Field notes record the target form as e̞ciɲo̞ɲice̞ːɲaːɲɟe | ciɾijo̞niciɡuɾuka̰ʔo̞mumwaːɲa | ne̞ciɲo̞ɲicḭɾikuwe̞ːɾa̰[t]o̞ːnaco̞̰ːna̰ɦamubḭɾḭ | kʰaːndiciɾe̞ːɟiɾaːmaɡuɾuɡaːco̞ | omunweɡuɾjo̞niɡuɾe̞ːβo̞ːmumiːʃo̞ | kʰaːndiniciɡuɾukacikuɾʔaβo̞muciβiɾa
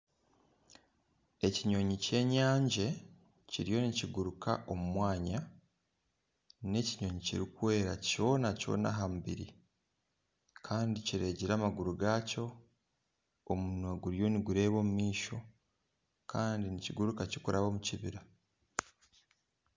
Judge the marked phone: incorrect: c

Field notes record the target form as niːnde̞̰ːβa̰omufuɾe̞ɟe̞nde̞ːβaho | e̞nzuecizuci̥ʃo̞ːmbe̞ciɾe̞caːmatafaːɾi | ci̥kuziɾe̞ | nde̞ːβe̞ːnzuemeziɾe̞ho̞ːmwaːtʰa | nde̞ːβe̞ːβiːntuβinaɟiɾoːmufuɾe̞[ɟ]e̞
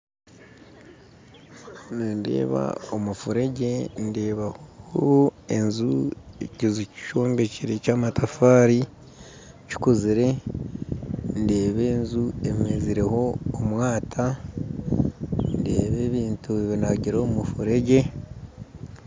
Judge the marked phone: correct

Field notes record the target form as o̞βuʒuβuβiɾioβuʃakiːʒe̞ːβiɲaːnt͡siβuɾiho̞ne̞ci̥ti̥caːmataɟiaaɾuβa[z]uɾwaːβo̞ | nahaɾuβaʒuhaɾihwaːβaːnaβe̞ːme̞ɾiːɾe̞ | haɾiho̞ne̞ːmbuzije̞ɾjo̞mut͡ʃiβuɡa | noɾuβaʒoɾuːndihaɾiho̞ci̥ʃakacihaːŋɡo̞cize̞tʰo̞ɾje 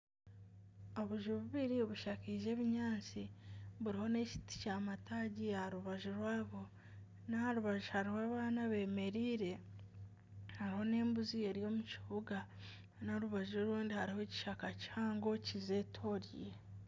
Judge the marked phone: incorrect: ʒ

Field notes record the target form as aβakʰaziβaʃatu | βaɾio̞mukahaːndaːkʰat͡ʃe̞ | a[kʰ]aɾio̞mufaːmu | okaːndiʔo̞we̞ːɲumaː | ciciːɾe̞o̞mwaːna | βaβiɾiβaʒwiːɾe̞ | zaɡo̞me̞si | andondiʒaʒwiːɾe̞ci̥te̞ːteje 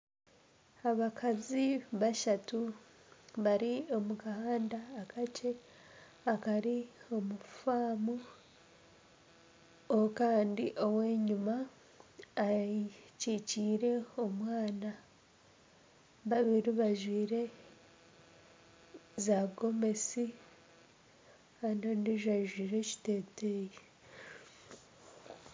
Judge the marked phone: incorrect: k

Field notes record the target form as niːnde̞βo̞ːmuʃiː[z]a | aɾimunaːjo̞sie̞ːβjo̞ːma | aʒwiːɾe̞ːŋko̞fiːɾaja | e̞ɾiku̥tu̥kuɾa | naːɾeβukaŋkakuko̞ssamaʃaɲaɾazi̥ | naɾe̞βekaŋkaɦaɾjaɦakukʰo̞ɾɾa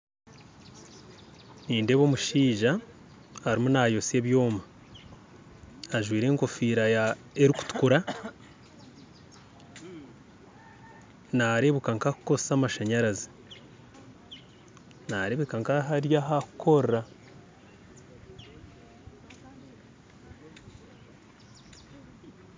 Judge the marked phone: incorrect: ʒ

